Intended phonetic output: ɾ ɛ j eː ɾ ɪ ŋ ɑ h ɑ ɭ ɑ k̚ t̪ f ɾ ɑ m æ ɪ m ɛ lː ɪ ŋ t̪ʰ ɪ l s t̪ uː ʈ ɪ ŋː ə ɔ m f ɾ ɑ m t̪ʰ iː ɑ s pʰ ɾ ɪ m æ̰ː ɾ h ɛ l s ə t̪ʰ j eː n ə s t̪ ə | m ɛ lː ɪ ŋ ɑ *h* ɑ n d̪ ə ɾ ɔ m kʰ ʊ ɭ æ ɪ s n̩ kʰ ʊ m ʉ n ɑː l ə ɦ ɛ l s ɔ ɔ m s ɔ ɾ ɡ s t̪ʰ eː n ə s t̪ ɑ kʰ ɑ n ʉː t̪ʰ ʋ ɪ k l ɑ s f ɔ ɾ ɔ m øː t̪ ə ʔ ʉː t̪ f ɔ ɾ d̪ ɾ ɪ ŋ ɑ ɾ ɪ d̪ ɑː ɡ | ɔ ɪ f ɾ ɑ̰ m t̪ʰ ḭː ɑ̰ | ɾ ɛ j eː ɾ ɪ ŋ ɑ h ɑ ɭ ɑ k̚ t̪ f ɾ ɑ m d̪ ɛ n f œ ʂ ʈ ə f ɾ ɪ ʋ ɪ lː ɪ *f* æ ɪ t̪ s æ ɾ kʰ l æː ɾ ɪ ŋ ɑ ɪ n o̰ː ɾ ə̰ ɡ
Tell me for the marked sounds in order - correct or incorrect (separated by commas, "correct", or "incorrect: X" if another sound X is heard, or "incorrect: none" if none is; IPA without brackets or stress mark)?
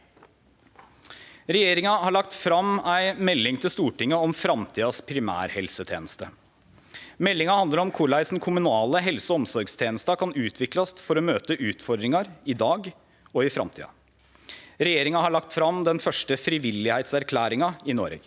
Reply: correct, incorrect: h